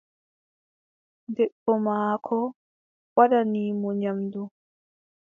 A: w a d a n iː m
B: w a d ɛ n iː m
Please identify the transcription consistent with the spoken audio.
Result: A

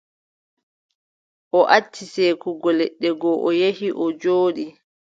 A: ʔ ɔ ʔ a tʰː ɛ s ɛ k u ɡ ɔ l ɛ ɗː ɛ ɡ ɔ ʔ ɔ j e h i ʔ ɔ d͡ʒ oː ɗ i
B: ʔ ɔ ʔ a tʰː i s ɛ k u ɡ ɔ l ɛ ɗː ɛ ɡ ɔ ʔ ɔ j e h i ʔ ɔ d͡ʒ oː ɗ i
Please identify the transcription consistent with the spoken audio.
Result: B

